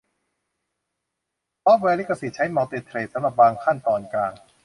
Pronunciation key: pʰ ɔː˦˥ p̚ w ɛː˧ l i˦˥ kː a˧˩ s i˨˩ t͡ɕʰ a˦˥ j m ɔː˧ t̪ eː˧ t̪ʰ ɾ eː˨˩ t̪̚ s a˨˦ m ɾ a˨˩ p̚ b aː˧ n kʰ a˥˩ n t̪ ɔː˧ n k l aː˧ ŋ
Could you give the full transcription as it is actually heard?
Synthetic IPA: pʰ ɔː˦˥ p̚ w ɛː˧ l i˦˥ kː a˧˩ s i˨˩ t͡ɕʰ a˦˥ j m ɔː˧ t̪ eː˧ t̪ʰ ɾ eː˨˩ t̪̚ s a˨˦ m ɾ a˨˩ p̚ b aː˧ ŋ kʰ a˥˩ n t̪ ɔː˧ n k l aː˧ ŋ

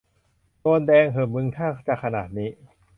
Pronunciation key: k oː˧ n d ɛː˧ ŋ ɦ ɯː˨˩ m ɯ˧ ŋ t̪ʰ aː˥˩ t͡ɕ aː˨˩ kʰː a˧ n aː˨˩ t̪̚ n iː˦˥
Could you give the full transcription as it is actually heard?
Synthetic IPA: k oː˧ n d ɛː˧ ŋ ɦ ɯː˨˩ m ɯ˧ ŋ t̪ʰ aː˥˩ t͡ɕ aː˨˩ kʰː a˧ n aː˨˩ t̪̚ n iː˦˥

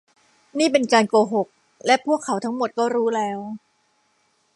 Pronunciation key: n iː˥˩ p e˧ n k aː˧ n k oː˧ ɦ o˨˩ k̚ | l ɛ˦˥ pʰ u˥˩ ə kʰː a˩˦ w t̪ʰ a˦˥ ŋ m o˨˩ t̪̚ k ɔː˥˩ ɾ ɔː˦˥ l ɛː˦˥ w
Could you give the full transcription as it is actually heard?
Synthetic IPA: n iː˥˩ p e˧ n k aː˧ n k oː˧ ɦ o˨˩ k̚ | l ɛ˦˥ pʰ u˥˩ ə kʰː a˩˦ w t̪ʰ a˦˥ ŋ m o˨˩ t̪̚ k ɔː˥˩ ɾ uː˦˥ l ɛː˦˥ w

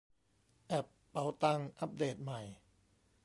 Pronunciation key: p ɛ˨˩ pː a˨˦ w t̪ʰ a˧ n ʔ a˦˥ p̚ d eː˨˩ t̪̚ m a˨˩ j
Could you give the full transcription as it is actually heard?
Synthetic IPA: ʔ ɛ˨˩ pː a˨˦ w t̪ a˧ ŋ ʔ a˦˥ p̚ d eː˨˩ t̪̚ m a˨˩ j

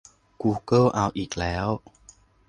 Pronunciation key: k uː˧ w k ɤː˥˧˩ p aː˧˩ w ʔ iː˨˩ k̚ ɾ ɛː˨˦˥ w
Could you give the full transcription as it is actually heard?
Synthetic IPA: k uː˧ k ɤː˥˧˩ ʔ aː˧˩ w ʔ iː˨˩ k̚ l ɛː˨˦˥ w

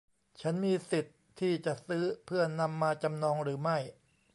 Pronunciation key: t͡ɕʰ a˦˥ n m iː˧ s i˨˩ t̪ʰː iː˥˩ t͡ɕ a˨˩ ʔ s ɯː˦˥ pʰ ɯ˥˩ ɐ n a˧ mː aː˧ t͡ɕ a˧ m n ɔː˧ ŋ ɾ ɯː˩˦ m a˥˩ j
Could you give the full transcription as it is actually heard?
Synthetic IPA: t͡ɕʰ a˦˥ n m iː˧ s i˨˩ t̪ʰː iː˥˩ t͡ɕ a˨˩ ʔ s ɯː˦˥ pʰ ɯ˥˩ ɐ n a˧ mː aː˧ t͡ɕ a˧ m n ɔː˧ ŋ ɾ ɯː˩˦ m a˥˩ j

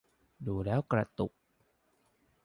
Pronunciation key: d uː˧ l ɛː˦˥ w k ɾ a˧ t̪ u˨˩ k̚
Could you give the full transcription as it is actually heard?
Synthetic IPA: d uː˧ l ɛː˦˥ w k ɾ a˧ t̪ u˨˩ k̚

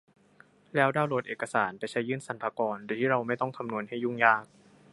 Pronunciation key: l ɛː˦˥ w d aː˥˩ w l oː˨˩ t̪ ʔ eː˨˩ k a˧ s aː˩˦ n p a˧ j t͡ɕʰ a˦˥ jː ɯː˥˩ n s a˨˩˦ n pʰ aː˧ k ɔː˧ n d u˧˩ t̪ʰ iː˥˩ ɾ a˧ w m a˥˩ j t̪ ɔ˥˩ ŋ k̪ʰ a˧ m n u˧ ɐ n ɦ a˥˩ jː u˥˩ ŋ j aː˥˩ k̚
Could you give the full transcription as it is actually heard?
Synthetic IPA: l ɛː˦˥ w d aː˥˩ w l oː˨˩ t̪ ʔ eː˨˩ k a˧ s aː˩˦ n p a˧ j t͡ɕʰ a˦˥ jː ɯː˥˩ n s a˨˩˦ n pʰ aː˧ k ɔː˧ n d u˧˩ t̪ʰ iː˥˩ ɾ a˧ w m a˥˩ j t̪ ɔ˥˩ ŋ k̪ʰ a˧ m n u˧ ə n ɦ a˥˩ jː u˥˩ ŋ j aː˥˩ k̚

